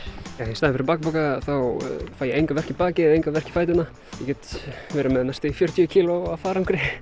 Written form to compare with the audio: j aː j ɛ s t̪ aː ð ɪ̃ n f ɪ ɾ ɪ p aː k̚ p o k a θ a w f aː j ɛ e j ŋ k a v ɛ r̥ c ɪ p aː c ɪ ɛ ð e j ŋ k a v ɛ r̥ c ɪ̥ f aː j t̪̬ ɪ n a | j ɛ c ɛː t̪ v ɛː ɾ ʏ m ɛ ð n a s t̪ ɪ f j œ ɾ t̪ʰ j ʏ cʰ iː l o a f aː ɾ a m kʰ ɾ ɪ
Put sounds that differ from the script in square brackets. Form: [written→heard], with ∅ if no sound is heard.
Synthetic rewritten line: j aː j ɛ s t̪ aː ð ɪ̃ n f ɪ ɾ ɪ p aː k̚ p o k a θ a w f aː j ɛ e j ŋ k a v ɛ r̥ c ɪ p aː c ɪ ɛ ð e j ŋ k a v ɛ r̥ c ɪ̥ f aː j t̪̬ ɪ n a | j ɛ c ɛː t̪ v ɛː ɾ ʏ m ɛ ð n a s t̪ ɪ f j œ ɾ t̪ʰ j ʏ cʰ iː l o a f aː ɾ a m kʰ ɾ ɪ

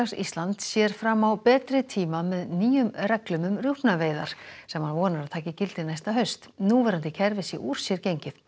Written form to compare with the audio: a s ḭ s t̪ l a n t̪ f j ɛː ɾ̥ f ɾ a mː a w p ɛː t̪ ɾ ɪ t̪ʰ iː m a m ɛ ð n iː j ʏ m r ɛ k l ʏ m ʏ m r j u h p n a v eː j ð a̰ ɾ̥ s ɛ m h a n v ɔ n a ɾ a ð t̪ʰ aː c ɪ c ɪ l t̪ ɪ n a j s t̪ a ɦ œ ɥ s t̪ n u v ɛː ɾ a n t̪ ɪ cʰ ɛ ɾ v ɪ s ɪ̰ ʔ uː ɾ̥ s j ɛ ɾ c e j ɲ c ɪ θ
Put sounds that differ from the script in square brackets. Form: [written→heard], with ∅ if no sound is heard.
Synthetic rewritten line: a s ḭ s t̪ l a n t̪ [f→s] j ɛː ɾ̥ f ɾ a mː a w p ɛː t̪ ɾ ɪ t̪ʰ iː m a m ɛ ð n iː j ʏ m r ɛ k l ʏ m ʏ m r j u h p n a v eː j ð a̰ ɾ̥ s ɛ m h a n v [ɔ→ɔː] n a ɾ a ð t̪ʰ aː c ɪ c ɪ l t̪ ɪ n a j s t̪ a ɦ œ ɥ s t̪ n u v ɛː ɾ a n t̪ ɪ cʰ ɛ ɾ v ɪ s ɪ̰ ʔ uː ɾ̥ s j ɛ ɾ c e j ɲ c ɪ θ

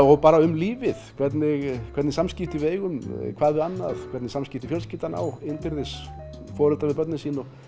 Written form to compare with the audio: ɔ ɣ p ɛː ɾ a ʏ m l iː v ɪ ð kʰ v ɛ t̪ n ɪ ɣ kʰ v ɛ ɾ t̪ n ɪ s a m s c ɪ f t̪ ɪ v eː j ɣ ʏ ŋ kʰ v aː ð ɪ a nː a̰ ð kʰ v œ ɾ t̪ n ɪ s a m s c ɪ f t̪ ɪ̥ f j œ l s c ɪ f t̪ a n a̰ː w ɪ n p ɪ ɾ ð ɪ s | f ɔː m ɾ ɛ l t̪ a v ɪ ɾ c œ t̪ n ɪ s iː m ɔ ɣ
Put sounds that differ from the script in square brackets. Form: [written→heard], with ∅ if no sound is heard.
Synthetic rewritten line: ɔ ɣ p [ɛː→aː] ɾ a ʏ m l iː v ɪ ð kʰ v ɛ t̪ n ɪ ɣ kʰ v ɛ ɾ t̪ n ɪ s a m s c ɪ f t̪ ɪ v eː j ɣ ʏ [ŋ→m] kʰ v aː ð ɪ a nː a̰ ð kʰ v [œ→ɛ] ɾ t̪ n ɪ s a m s c ɪ f t̪ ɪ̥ f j œ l s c ɪ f t̪ a n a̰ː w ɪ n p ɪ ɾ ð ɪ s | f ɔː [m→∅] ɾ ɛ l t̪ a v ɪ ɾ [c→p] œ t̪ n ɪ s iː [m→n] ɔ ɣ

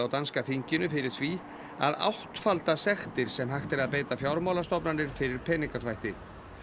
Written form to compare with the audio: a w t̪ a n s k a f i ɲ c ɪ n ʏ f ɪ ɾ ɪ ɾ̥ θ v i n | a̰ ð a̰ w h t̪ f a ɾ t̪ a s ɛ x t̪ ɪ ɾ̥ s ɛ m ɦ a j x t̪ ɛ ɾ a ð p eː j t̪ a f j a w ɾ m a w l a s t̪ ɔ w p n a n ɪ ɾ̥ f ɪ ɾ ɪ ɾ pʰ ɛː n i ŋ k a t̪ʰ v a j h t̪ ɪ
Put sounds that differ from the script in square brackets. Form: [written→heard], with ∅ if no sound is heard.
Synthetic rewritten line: a w t̪ a n s k a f i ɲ c ɪ n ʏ f ɪ ɾ ɪ ɾ̥ θ v i [n→∅] | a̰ ð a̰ w h t̪ f a [ɾ→l] t̪ a s ɛ x t̪ ɪ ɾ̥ s ɛ m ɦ a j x t̪ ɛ ɾ a ð p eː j t̪ a f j a w ɾ m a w l a s t̪ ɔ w p n a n ɪ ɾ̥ f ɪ ɾ ɪ ɾ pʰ ɛː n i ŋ k a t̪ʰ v a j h t̪ ɪ

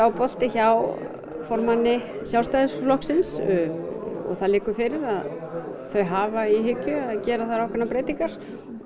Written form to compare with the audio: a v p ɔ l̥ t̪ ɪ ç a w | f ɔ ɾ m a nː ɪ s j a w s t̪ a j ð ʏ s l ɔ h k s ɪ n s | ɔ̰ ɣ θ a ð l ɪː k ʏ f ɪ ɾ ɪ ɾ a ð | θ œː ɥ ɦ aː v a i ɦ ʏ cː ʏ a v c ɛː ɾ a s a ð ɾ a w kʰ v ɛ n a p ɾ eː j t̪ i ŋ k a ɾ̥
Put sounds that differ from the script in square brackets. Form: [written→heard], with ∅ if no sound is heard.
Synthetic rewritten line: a [v→w] p ɔ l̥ t̪ ɪ ç a w | f ɔ ɾ m a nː ɪ s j a w s t̪ a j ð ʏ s l ɔ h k s ɪ n s | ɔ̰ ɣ θ a ð l ɪː k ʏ f ɪ ɾ ɪ ɾ a ð | θ [œː→œ] ɥ ɦ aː v a i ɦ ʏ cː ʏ a [v→ð] c ɛː ɾ a [s→θ] a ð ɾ a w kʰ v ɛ n a p ɾ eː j t̪ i ŋ k a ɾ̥

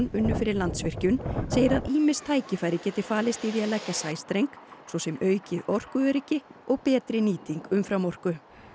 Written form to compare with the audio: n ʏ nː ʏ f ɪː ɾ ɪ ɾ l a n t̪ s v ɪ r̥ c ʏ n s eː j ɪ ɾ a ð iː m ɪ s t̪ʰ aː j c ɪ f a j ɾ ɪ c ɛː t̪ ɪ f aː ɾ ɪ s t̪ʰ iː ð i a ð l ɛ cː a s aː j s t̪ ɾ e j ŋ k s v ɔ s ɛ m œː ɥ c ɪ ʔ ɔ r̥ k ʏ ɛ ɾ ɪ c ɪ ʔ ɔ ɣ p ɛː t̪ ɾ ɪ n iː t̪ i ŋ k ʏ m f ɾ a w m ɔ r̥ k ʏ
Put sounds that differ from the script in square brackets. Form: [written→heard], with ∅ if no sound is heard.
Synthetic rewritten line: n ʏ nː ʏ f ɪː ɾ ɪ ɾ l a n t̪ s v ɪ r̥ c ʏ n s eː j ɪ ɾ a ð iː m ɪ s t̪ʰ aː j c ɪ f a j ɾ ɪ c ɛː t̪ ɪ f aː [ɾ→l] ɪ s [t̪ʰ→t̪] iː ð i a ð l ɛ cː a s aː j s t̪ ɾ e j ŋ k s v ɔ s ɛ m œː ɥ c ɪ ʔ ɔ r̥ k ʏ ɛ ɾ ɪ c ɪ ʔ ɔ ɣ p ɛː t̪ ɾ ɪ n iː t̪ i ŋ k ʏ m f ɾ a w m ɔ r̥ k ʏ

